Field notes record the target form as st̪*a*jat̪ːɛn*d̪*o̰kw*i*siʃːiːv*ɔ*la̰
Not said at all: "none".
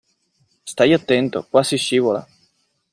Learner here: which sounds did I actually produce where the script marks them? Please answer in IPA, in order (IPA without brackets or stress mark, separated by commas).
a, t̪, a, o